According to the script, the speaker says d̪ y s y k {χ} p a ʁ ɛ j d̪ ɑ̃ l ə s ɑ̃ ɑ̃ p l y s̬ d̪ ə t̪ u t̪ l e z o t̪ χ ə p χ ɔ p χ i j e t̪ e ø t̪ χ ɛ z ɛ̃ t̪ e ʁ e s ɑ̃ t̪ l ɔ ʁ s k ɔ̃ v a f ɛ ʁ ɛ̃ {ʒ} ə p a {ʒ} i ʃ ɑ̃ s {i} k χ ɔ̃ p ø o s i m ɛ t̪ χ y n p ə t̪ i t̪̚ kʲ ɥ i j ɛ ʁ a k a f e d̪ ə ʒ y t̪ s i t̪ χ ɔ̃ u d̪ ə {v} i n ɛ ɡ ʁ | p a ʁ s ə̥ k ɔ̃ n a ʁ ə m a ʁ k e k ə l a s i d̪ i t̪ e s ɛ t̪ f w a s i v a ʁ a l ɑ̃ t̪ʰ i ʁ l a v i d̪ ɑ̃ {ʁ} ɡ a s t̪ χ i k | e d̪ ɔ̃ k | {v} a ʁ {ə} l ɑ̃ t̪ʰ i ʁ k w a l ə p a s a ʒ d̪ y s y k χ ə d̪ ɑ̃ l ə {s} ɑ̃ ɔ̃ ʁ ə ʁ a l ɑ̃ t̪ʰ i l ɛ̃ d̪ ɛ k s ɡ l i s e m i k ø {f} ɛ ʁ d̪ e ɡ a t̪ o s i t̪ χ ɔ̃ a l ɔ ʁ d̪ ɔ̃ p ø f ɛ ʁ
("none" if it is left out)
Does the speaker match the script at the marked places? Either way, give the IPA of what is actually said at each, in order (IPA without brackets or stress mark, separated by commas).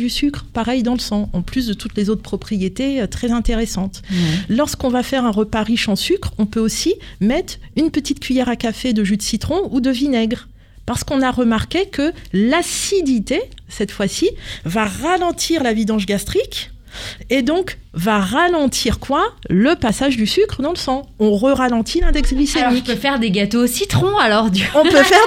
χ, ʁ, ʁ, y, v, ʒ, v, a, s, f